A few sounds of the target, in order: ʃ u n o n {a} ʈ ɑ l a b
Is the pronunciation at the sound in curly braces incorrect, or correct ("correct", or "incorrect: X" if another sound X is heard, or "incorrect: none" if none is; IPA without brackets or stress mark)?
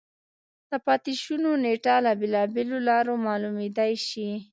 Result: incorrect: e